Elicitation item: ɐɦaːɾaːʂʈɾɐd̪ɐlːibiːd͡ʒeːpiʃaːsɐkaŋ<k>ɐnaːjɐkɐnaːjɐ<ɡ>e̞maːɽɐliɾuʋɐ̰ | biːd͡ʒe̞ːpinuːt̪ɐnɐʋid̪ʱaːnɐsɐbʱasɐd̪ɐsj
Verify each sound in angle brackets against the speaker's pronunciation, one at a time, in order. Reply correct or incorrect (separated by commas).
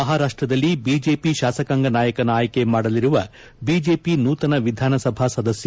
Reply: incorrect, incorrect